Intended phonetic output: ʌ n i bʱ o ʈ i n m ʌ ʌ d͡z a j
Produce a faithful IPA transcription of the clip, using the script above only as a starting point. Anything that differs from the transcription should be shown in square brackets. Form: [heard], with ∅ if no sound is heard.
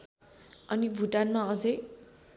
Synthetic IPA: ʌ n i bʱ [u] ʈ [a] n m [a] ʌ d͡z [ʌ] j